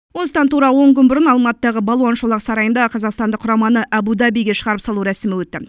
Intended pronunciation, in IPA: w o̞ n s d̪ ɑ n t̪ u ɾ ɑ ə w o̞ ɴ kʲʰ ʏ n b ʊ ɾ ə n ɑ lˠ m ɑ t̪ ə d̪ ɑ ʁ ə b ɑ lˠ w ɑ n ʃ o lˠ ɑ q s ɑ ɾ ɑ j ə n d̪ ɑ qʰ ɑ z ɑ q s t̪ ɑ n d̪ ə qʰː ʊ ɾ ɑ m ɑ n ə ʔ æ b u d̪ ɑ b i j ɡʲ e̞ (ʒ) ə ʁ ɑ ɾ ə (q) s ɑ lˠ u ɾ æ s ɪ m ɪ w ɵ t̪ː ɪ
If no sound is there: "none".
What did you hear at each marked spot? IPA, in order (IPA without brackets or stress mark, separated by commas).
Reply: ʃ, p